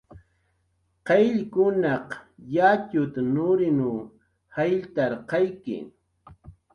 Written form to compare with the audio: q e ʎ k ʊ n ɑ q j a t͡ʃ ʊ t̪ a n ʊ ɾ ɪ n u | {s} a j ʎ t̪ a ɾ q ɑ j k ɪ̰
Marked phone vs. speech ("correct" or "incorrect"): incorrect